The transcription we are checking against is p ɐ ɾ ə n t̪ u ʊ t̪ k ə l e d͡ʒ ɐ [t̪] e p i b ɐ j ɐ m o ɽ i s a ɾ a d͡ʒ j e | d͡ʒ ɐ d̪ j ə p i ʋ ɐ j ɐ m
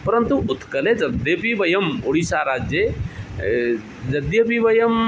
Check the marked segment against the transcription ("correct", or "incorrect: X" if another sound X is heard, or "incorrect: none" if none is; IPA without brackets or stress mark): incorrect: d̪